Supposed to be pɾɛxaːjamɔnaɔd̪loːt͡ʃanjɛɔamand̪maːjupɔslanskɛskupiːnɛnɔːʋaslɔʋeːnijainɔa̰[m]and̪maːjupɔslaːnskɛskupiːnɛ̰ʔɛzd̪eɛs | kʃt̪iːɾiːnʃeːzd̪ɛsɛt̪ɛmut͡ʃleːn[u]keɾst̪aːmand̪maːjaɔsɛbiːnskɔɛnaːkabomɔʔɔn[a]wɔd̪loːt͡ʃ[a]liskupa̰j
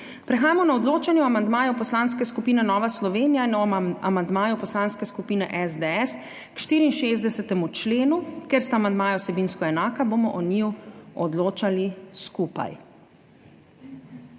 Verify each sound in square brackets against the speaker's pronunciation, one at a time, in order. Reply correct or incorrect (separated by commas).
correct, correct, incorrect, correct